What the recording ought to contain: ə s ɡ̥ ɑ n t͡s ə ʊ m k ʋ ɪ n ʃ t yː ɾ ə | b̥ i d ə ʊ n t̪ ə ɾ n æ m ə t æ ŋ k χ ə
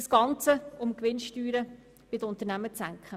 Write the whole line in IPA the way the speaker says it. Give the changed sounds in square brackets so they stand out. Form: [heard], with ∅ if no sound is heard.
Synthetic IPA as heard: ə s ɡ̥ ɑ n t͡s ə ʊ m k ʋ ɪ n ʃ t yː ɾ ə | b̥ [ɪ] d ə ʊ n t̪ ə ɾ n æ m ə [t͡s] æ ŋ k χ ə